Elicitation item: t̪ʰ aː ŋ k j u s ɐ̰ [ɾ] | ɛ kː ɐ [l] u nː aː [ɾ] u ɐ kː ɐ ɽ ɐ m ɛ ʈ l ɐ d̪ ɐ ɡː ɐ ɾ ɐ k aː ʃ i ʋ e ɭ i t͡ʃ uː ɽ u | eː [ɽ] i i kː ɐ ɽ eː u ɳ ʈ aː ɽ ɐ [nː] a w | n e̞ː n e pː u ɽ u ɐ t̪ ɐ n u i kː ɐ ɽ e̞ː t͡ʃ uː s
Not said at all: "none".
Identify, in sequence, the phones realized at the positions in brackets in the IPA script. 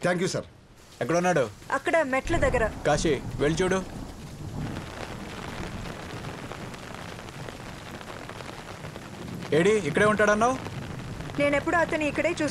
ɾ, ɽ, ɽ, ɽ, nː

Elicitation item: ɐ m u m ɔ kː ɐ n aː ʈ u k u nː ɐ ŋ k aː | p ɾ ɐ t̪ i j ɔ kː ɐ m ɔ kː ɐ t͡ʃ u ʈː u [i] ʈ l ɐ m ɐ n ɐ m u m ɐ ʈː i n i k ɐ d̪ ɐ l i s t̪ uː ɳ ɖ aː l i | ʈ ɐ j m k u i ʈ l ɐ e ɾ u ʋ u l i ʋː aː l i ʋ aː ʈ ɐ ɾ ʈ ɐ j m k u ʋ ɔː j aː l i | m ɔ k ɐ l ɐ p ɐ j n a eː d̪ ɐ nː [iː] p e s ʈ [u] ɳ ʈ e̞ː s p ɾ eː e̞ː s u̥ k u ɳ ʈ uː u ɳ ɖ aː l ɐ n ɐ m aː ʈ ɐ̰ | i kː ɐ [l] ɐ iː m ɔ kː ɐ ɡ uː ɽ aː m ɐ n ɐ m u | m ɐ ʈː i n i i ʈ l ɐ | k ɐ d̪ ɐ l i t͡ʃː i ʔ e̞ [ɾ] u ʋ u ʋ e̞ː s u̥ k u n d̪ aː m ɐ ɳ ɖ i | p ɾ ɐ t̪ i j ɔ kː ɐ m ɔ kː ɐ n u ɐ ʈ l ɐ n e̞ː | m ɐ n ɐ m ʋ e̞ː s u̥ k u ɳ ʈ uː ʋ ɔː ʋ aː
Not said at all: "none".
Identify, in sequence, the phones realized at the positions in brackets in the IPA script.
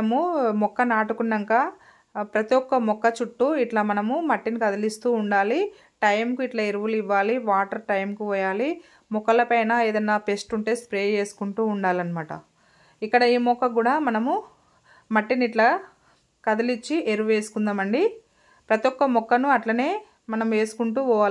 i, aː, u, ɽ, ɾ

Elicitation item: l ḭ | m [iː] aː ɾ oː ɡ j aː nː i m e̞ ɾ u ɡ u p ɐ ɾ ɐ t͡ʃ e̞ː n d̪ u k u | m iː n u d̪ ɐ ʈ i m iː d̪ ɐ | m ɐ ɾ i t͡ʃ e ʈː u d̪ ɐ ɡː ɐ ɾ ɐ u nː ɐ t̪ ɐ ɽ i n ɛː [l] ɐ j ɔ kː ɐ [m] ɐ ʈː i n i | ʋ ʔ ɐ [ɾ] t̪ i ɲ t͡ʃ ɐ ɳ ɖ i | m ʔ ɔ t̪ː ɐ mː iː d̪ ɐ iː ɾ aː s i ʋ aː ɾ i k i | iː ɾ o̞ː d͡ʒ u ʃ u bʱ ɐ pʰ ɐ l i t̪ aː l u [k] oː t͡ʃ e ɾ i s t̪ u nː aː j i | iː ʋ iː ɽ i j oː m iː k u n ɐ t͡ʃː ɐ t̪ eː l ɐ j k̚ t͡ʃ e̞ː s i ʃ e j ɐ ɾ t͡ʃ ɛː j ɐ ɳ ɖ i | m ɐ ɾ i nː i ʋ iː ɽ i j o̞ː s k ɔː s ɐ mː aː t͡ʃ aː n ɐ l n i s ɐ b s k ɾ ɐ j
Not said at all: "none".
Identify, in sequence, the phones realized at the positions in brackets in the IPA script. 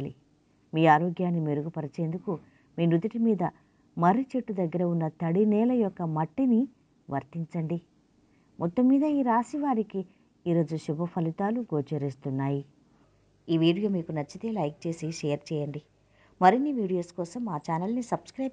iː, l, m, ɾ, ɡ

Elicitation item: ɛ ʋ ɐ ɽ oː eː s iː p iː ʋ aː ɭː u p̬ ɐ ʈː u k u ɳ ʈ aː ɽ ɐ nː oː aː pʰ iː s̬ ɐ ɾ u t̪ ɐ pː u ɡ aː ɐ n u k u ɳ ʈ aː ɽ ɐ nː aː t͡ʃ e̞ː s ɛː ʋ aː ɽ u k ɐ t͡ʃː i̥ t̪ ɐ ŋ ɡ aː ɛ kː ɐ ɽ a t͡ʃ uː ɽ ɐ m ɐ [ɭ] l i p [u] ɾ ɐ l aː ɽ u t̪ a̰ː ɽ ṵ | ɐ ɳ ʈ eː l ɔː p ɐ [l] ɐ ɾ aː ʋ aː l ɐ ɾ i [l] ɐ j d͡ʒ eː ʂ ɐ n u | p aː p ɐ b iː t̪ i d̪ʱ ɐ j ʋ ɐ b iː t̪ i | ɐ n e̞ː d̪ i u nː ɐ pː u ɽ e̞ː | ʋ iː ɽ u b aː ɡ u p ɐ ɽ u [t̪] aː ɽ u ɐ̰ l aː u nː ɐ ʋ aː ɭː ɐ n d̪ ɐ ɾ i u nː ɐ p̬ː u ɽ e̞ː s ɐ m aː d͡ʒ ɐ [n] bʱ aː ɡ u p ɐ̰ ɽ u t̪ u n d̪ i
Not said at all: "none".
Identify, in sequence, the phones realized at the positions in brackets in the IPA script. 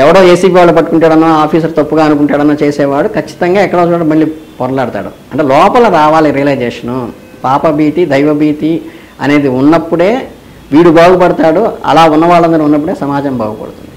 ɭ, ɔ, l, l, t̪, m

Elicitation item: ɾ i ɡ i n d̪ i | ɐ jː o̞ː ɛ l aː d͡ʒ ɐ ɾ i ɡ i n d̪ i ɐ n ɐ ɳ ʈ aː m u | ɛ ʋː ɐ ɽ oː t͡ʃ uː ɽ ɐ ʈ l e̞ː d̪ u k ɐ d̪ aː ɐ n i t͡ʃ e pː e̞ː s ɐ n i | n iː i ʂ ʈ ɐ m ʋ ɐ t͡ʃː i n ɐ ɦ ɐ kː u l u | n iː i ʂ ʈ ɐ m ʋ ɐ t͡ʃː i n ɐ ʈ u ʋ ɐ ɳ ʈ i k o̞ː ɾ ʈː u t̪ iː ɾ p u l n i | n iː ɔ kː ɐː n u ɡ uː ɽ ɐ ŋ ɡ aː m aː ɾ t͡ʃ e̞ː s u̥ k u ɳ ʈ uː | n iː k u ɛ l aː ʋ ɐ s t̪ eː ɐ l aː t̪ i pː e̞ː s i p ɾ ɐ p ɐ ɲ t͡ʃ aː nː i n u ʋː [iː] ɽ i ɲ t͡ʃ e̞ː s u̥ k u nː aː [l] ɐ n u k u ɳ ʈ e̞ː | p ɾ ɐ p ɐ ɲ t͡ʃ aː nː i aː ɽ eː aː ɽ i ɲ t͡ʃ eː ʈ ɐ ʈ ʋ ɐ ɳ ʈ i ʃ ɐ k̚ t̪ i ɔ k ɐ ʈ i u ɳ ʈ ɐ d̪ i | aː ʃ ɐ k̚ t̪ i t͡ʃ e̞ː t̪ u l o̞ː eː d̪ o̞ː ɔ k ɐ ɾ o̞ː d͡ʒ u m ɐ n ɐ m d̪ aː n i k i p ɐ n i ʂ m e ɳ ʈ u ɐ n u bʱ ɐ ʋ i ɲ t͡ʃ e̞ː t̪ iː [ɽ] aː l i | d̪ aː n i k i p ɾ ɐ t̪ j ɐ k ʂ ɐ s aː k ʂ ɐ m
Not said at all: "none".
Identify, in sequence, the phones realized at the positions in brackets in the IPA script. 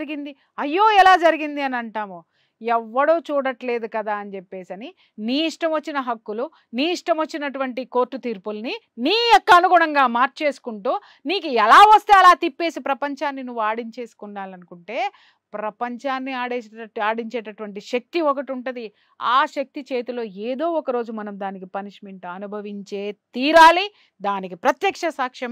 aː, l, ɾ

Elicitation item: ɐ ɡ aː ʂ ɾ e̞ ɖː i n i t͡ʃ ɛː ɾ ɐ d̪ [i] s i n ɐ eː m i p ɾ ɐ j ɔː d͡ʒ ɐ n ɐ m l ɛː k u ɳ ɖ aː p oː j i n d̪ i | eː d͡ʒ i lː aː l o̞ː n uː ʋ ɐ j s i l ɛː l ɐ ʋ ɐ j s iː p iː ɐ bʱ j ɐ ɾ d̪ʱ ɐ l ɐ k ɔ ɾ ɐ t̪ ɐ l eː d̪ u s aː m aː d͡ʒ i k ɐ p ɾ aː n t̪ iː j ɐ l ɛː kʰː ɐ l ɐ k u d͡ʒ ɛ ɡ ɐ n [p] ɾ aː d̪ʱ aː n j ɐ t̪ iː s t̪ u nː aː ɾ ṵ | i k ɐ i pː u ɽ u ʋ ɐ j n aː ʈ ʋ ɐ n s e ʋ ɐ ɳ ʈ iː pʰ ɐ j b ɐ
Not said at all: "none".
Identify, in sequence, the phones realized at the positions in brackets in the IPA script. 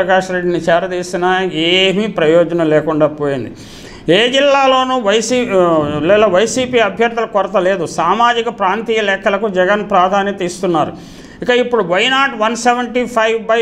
iː, p

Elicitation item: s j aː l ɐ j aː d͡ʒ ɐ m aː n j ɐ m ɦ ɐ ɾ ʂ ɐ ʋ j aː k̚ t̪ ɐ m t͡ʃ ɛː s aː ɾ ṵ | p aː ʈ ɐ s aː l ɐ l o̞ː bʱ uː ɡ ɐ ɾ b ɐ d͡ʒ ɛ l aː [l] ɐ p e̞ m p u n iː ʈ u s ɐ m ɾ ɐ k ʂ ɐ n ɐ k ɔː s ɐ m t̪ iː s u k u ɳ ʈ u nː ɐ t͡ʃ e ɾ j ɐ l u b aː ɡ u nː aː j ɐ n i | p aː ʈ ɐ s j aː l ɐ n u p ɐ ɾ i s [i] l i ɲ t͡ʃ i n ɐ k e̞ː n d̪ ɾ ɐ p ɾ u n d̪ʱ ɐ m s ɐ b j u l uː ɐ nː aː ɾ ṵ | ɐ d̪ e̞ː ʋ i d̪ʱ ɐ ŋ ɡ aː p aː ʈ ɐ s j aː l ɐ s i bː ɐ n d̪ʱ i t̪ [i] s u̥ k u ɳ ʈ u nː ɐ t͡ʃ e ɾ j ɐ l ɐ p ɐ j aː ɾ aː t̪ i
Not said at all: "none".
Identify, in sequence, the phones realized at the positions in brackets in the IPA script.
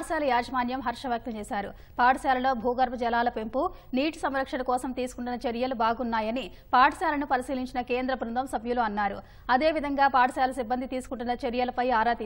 l, iː, iː

